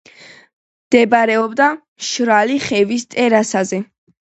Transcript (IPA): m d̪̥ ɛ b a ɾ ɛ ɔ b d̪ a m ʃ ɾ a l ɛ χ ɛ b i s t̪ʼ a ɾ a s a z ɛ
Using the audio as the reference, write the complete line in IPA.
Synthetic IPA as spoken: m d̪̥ ɛ b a ɾ ɛ ɔ b d̪ a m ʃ ɾ a l i χ ɛ v i s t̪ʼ ɛ ɾ a s a z ɛ